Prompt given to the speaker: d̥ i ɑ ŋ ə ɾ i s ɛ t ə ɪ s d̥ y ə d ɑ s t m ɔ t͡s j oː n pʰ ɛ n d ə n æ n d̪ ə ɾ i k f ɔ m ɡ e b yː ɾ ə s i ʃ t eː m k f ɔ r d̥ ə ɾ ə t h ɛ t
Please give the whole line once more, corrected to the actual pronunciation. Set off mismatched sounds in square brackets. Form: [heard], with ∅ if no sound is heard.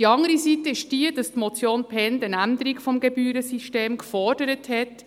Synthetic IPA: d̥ i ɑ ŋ ə ɾ i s [i] t ə ɪ [ʃ] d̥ [i] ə d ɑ s t m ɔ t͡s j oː n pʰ ɛ n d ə n æ n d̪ ə ɾ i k f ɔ m ɡ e b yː ɾ ə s i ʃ t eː m k f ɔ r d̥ ə ɾ ə t h ɛ t